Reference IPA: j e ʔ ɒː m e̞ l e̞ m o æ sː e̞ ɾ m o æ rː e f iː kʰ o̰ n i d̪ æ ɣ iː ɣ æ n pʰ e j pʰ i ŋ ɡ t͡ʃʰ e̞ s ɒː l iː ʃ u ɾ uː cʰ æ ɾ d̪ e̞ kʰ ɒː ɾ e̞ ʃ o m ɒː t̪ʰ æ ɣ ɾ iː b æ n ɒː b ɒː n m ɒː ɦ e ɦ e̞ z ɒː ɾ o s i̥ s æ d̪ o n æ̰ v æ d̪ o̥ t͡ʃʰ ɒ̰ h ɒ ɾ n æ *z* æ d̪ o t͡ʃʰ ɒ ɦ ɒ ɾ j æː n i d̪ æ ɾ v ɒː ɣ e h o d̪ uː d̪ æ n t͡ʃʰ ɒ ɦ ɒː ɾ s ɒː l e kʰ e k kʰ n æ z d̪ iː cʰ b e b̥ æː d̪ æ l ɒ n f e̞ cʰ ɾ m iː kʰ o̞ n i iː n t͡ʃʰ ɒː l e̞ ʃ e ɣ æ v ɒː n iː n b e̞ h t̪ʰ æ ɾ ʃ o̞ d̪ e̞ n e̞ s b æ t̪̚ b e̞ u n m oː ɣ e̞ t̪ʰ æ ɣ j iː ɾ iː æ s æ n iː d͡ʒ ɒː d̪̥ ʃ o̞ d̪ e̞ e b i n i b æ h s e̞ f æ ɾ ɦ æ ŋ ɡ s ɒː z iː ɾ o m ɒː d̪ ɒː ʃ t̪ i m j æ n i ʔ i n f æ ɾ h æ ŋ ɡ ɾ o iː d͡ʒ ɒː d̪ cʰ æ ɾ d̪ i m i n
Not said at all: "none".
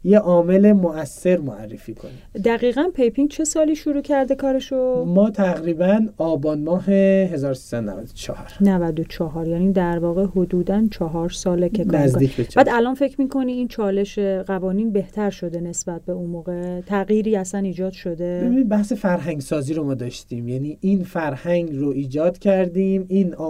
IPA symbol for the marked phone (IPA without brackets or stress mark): v